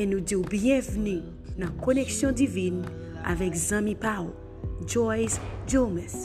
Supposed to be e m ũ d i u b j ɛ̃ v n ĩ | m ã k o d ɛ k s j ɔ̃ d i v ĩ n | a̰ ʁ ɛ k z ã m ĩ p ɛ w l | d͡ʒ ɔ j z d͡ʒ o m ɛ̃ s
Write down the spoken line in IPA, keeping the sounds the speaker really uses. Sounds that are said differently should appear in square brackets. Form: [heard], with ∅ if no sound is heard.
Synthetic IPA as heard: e [n] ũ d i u b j ɛ̃ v n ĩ | [n] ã k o [n] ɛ k s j ɔ̃ d i v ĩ n | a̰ [v] ɛ k z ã m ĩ p [a] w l | d͡ʒ ɔ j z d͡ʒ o m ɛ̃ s